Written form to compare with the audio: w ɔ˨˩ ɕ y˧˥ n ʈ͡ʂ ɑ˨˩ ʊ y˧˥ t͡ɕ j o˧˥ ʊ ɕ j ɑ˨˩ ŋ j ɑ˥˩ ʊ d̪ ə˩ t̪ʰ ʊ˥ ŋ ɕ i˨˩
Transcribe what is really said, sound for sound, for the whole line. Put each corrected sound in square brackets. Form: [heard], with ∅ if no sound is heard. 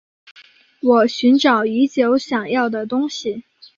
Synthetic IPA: w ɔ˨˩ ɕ y˧˥ n ʈ͡ʂ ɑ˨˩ ʊ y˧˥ t͡ɕ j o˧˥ ʊ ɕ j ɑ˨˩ ŋ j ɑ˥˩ ʊ d̪ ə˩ [t̪] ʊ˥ ŋ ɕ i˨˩

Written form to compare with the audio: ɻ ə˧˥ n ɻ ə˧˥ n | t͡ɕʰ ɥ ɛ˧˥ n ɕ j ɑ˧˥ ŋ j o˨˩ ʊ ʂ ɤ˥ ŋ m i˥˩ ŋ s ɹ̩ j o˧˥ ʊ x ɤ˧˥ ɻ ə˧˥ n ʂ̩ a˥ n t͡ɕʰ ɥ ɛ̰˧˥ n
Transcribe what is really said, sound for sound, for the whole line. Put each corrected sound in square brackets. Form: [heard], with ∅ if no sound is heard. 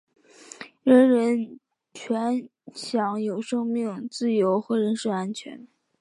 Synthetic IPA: ɻ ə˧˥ n ɻ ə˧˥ n | t͡ɕʰ ɥ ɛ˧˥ n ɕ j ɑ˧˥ ŋ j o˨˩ ʊ ʂ ɤ˥ ŋ m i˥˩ ŋ [t͡s] ɹ̩ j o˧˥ ʊ x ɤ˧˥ ɻ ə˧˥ n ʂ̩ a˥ n t͡ɕʰ ɥ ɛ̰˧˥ n

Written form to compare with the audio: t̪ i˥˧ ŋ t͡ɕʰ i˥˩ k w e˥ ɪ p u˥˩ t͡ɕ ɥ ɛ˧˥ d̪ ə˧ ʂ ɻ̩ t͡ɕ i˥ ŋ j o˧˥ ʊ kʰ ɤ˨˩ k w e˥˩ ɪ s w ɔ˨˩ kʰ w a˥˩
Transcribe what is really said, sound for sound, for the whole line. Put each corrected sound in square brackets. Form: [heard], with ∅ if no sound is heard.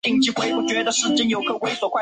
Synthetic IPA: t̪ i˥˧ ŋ [t͡ɕ] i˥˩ k w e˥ ɪ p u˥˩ t͡ɕ ɥ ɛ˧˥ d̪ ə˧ ʂ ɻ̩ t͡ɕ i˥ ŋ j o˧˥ ʊ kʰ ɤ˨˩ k w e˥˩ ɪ s w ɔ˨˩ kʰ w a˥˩

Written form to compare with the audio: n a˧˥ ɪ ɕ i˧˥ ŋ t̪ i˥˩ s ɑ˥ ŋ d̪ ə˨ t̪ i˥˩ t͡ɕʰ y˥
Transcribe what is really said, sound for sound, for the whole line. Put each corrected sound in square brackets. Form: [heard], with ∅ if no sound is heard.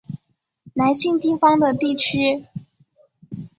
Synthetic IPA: n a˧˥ ɪ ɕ [i˥˧] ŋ t̪ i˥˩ [f] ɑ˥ ŋ d̪ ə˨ t̪ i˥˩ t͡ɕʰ y˥

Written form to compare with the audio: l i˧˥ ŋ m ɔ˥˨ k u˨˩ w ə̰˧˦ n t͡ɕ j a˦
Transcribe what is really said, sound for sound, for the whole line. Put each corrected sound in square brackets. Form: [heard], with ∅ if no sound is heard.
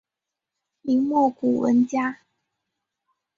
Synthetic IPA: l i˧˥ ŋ m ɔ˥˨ k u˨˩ w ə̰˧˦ n t͡ɕ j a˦

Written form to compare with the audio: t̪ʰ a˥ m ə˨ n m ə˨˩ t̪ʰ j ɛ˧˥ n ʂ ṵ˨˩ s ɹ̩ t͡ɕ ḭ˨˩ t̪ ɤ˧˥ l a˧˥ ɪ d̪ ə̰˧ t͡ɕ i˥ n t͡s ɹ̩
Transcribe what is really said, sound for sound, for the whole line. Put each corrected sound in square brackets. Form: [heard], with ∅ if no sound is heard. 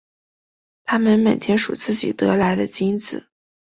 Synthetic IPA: t̪ʰ a˥ m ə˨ n m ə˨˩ t̪ʰ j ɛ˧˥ n ʂ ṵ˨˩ [t͡s] ɹ̩ t͡ɕ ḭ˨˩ t̪ ɤ˧˥ l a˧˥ ɪ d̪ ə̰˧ t͡ɕ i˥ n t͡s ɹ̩

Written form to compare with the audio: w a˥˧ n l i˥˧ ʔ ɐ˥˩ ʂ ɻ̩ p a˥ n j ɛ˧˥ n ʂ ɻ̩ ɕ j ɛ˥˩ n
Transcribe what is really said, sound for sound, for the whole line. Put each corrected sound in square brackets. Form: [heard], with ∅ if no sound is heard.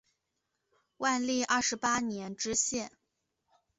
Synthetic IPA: w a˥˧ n l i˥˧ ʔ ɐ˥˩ ʂ ɻ̩ p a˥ n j ɛ˧˥ n [ʈ͡ʂ] ɻ̩ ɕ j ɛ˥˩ n

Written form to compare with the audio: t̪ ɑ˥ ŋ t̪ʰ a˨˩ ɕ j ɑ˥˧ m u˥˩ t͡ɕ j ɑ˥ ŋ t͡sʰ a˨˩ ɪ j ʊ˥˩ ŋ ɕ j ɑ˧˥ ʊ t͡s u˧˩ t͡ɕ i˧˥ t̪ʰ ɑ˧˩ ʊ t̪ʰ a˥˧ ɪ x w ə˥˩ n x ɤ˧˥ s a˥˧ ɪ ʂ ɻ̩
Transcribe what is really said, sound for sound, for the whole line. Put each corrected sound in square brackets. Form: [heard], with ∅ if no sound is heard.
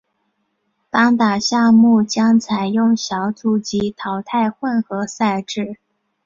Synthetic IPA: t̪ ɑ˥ ŋ [t̪] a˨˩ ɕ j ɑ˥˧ m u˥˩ t͡ɕ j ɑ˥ ŋ t͡sʰ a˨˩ ɪ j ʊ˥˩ ŋ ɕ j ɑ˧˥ ʊ t͡s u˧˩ t͡ɕ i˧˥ t̪ʰ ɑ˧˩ ʊ t̪ʰ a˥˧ ɪ x w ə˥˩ n x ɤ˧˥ s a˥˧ ɪ [ʈ͡ʂ] ɻ̩

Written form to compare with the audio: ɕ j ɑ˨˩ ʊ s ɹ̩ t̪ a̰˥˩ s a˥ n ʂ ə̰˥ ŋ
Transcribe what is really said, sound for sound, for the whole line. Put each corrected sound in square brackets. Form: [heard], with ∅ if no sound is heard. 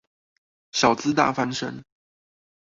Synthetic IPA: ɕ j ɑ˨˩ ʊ [t͡s] ɹ̩ t̪ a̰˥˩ [f] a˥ n ʂ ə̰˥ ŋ

